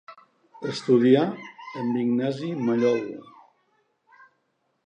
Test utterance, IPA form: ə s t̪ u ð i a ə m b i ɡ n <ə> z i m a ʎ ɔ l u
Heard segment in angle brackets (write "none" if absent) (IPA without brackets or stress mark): a